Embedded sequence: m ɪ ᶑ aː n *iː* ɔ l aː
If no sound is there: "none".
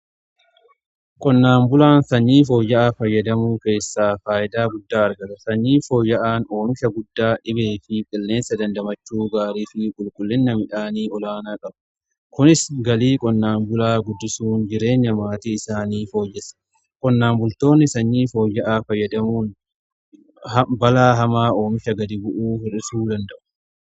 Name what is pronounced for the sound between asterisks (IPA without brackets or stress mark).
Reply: iː